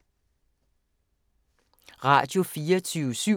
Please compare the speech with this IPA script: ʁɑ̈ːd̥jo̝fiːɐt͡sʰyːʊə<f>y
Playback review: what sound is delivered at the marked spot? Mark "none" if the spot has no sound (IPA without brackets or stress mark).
s